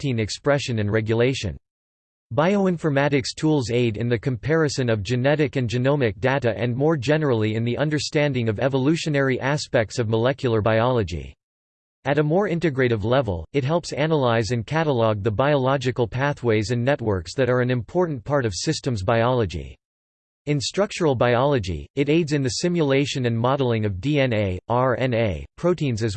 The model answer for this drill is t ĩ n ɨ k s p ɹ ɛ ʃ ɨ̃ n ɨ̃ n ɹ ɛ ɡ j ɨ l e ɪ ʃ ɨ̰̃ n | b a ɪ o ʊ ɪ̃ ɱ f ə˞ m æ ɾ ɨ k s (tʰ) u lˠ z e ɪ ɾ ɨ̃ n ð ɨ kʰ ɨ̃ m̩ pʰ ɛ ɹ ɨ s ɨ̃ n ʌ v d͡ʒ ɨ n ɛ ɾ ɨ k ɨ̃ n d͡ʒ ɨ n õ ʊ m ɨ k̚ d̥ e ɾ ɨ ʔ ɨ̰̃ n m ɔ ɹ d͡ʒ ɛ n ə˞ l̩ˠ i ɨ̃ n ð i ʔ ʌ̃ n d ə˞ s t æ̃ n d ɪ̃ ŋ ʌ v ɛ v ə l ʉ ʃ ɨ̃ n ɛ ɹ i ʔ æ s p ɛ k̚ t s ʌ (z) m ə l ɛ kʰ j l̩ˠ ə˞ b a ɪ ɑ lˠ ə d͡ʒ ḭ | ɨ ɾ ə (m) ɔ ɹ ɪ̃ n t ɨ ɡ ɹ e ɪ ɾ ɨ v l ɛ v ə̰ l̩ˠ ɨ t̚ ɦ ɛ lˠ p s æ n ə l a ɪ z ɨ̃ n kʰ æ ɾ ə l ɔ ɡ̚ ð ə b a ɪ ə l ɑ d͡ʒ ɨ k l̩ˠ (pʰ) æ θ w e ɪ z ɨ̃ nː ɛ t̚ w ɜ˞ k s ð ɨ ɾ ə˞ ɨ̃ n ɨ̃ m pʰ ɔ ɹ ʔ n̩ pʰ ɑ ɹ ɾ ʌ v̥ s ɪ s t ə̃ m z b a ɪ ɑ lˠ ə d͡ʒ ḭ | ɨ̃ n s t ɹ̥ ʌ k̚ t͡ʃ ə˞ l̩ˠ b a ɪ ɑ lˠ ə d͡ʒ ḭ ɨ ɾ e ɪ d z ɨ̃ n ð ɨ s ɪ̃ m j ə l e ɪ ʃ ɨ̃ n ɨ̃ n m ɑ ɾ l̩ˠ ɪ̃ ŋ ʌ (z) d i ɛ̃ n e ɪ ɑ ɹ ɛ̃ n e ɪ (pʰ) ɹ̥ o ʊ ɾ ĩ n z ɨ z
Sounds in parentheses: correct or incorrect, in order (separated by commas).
correct, incorrect, correct, correct, incorrect, correct